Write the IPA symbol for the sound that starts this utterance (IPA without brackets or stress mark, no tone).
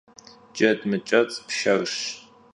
d͡ʒ